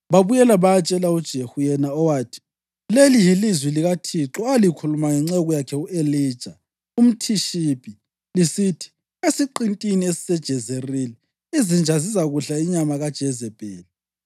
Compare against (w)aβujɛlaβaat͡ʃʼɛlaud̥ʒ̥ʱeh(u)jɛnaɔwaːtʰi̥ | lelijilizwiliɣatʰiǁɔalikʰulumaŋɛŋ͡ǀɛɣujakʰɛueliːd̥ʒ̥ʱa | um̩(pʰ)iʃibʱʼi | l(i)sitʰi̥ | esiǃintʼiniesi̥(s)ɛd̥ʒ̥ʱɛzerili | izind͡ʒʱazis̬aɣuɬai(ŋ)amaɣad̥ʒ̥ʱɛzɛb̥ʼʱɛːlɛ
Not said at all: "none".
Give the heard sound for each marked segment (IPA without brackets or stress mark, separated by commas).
β, u, tʰ, i, s, ɲ